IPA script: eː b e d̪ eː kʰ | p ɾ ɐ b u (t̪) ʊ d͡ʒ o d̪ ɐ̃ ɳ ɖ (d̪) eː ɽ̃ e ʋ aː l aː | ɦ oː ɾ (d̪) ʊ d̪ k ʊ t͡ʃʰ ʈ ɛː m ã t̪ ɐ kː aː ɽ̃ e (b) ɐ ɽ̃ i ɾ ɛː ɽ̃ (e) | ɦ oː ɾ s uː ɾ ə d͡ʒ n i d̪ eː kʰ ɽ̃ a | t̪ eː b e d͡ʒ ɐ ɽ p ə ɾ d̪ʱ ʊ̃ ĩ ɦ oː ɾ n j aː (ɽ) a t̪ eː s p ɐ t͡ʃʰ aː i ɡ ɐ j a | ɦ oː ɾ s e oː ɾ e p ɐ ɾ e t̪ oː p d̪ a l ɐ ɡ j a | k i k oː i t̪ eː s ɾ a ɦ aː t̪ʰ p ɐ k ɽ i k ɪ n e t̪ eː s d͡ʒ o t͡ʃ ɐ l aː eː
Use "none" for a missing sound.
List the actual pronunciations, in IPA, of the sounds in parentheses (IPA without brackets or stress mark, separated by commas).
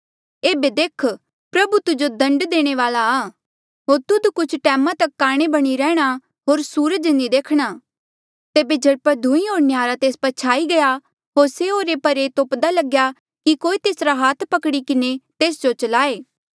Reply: t̪, d̪, t̪, b, a, ɾ